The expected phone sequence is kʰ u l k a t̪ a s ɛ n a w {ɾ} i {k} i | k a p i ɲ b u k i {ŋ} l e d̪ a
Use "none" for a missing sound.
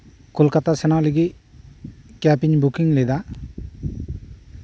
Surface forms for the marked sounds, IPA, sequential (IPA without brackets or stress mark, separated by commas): l, ɡ, ŋ